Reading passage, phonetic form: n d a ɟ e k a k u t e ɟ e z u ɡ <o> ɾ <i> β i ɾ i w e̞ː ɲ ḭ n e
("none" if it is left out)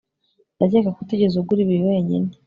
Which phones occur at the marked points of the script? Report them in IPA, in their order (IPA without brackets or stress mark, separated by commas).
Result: u, i